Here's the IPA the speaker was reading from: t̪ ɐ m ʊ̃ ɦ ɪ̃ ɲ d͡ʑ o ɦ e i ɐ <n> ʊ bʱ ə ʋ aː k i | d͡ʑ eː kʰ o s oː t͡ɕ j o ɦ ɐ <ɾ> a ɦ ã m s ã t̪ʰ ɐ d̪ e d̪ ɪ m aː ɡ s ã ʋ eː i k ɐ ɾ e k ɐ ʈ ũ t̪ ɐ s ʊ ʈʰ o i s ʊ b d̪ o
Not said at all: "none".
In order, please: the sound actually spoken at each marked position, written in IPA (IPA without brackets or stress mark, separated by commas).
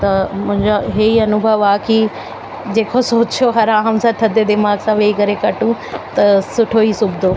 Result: n, ɾ